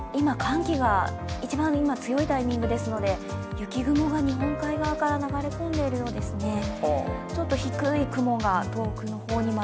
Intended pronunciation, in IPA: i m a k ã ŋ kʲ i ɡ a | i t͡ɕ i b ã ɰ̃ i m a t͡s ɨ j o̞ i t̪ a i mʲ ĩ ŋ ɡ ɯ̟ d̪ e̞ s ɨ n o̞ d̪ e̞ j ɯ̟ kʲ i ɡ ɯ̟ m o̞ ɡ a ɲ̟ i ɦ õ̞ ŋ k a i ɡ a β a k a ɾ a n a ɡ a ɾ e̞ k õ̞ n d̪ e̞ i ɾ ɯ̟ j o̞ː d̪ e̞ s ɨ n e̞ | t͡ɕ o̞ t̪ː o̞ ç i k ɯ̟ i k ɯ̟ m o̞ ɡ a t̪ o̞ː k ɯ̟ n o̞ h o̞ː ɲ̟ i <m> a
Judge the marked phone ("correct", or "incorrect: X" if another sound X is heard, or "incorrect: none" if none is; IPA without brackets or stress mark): correct